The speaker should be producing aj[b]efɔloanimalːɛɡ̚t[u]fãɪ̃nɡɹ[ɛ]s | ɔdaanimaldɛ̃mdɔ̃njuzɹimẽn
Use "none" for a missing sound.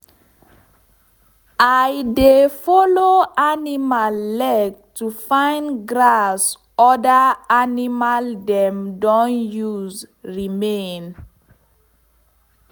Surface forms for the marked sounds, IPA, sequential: d, u, a

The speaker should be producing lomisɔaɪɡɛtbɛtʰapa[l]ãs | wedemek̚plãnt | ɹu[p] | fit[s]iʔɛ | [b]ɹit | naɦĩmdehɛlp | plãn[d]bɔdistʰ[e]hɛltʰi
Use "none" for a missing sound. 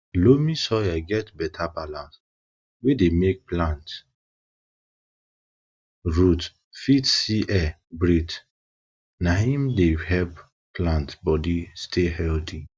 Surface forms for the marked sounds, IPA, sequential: l, t, s, b, t, e

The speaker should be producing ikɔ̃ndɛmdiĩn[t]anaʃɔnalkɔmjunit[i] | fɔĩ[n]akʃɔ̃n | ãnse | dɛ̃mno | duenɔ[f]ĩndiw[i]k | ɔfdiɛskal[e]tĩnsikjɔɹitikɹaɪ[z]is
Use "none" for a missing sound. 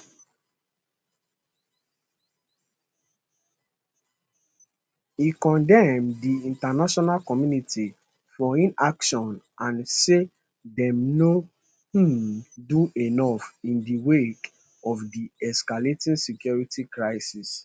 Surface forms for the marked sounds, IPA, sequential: t, i, n, f, e, e, s

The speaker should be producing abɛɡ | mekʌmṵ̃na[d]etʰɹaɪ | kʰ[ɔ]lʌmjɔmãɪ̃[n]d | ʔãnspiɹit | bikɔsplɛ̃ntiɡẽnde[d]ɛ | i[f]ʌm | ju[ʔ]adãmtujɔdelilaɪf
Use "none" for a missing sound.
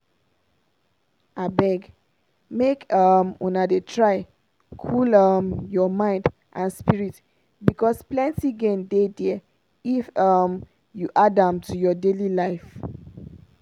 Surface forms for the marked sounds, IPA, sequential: d, u, n, d, f, ʔ

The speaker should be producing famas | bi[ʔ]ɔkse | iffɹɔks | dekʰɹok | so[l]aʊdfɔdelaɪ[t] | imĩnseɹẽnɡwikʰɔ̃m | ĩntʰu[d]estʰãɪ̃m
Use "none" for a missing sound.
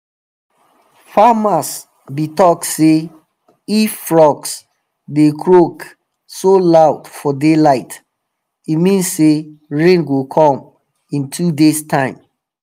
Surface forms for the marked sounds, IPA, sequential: t, l, t, d

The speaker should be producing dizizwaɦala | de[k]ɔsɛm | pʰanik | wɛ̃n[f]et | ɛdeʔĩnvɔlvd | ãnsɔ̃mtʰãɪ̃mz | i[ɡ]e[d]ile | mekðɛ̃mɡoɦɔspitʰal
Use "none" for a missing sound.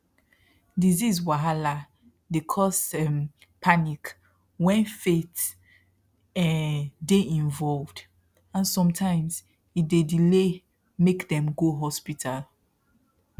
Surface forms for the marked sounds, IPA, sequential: kʰ, f, d, d

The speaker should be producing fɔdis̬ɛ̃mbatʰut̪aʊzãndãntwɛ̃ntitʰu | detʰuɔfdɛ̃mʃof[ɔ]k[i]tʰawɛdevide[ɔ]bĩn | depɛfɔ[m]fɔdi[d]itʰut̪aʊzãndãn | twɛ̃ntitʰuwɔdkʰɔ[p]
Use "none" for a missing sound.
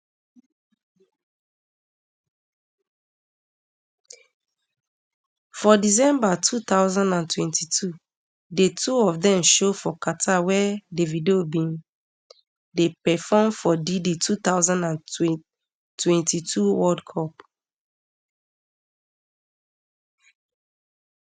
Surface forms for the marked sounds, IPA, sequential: ɔ, a, o, m, d, p

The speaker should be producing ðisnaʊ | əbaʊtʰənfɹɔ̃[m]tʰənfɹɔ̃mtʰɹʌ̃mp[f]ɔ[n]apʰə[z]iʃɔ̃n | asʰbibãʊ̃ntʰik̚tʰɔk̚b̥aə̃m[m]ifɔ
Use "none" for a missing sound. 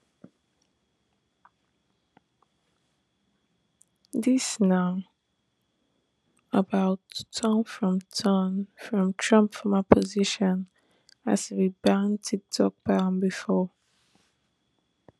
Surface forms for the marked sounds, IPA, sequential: m, f, m, z, b

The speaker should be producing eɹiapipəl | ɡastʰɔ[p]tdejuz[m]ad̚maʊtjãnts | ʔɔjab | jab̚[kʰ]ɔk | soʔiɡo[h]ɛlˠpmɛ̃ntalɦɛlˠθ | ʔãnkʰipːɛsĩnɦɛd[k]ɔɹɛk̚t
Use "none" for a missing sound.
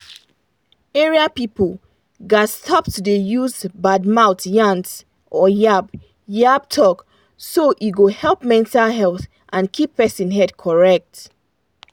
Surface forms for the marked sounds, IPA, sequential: p, b, tʰ, h, kʰ

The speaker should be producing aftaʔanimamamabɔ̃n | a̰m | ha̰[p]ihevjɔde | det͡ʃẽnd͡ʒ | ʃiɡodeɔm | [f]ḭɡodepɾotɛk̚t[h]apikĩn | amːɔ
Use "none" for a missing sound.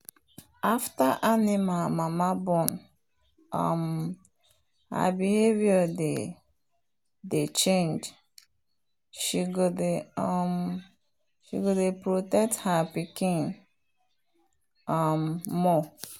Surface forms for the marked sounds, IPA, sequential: b, ʃ, h

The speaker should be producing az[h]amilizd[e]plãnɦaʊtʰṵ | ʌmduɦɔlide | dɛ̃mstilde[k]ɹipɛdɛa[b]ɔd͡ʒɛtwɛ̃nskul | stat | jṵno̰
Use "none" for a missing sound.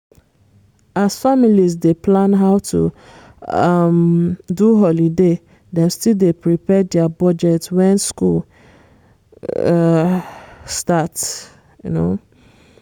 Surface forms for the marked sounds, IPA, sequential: f, e, p, b

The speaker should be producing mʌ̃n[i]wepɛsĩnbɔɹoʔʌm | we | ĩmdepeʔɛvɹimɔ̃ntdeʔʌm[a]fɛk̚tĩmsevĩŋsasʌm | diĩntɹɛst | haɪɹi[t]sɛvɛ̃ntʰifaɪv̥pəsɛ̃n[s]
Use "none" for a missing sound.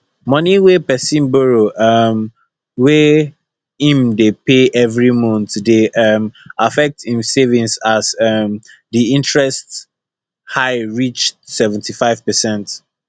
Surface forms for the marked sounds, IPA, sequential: i, a, t͡ʃ, t

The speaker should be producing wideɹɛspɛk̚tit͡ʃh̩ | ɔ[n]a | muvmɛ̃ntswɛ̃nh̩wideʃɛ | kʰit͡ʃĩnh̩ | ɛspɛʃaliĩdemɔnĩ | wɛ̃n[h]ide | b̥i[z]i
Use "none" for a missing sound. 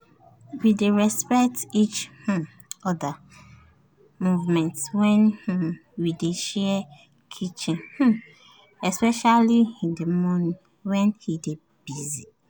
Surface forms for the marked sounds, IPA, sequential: d, h, z

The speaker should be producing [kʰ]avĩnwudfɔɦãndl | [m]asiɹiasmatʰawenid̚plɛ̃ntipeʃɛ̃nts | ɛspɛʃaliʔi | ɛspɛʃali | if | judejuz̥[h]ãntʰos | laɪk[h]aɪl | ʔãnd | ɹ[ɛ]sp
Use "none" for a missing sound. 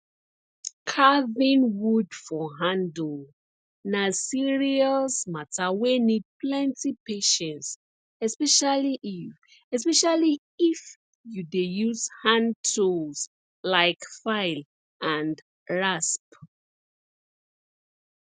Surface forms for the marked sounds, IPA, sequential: kʰ, n, h, f, a

